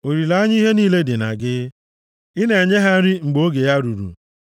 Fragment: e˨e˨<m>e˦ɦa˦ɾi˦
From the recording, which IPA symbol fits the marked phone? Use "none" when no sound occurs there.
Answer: ɲ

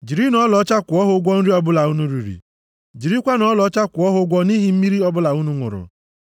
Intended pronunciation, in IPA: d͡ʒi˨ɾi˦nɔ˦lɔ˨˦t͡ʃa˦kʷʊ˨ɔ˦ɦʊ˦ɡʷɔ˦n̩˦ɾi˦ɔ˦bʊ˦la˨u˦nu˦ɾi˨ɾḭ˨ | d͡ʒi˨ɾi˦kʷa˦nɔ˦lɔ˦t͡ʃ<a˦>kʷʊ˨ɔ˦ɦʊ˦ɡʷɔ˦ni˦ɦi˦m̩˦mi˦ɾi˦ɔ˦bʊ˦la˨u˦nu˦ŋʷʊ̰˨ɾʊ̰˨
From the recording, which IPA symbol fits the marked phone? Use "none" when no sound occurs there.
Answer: a˦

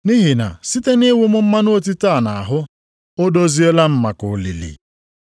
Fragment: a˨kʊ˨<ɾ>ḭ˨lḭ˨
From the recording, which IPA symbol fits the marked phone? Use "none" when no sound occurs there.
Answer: l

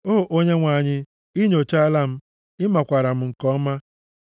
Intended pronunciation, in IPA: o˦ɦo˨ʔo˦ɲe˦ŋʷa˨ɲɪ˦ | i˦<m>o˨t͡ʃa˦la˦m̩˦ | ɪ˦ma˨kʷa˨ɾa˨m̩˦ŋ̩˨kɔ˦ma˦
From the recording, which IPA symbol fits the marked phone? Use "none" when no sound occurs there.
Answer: ɲ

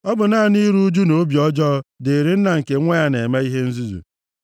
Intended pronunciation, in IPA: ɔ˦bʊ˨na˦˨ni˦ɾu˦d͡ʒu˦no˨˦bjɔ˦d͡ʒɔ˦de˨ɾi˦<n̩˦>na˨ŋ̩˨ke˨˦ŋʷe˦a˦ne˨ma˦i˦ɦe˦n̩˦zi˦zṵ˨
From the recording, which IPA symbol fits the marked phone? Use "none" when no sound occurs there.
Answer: n̩˦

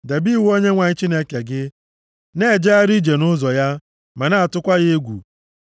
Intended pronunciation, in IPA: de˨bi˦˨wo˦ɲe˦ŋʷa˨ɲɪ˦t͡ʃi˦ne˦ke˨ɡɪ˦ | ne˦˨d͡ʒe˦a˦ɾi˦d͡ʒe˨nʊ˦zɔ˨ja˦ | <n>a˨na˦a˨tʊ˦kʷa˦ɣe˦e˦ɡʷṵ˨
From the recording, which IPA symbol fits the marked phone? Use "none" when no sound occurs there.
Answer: m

